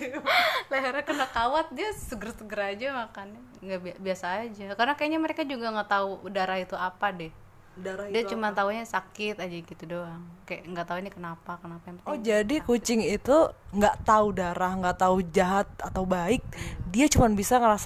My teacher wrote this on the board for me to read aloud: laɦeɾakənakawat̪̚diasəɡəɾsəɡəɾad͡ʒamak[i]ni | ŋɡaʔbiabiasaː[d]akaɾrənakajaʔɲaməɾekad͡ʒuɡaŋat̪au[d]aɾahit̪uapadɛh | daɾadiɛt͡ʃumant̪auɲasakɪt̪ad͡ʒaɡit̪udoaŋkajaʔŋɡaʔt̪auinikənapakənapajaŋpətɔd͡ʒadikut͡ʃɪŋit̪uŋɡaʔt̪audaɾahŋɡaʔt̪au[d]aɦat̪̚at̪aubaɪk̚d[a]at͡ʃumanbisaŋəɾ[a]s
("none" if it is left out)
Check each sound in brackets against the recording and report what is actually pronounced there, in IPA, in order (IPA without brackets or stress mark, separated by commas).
a, d͡ʒ, d, d͡ʒ, i, a